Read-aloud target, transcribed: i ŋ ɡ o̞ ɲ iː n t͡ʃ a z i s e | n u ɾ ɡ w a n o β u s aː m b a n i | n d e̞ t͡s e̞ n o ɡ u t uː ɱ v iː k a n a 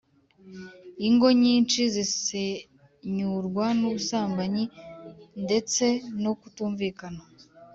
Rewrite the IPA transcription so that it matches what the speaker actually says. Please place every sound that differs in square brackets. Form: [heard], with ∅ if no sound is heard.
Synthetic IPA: i ŋ ɡ o̞ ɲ iː n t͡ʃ [i] z i s e | [ɲ] u ɾ ɡ w a n [u] β u s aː m b a [ɲ] i | n d e̞ t͡s e̞ n o [k] u t uː ɱ v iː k a n a